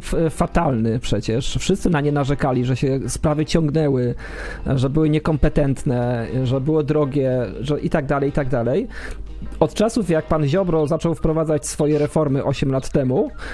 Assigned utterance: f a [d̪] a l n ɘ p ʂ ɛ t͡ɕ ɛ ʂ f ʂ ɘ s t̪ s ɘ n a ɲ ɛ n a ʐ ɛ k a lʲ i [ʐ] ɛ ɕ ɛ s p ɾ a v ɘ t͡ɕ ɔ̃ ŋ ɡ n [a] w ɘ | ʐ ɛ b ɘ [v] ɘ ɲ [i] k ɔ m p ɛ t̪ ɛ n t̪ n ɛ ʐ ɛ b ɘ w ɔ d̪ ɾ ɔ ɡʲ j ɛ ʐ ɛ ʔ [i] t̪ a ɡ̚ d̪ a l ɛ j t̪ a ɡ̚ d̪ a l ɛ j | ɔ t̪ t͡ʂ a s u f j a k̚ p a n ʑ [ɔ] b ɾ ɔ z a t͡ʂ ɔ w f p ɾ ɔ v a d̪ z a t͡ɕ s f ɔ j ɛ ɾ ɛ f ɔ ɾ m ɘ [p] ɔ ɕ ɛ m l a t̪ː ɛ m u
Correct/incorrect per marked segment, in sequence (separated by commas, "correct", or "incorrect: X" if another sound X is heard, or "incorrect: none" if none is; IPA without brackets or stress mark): incorrect: t̪, correct, incorrect: ɛ, incorrect: w, incorrect: ɛ, correct, correct, incorrect: ʔ